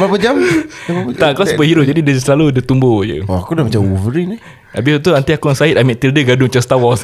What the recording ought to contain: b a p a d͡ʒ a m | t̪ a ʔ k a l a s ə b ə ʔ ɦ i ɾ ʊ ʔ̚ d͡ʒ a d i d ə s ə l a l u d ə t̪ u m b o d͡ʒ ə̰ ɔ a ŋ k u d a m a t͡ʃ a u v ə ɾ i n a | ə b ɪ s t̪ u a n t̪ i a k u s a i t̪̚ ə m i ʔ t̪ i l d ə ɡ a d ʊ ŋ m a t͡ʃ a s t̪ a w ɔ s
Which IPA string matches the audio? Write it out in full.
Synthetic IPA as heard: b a p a d͡ʒ a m | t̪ a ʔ k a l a s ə b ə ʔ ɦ i ɾ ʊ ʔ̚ d͡ʒ a d i d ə s ə l a l u d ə t̪ u m b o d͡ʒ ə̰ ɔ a k u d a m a t͡ʃ a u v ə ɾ i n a | a b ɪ s t̪ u a n t̪ i a k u s a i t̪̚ a m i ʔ t̪ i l d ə ɡ a d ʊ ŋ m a t͡ʃ a s t̪ a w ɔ s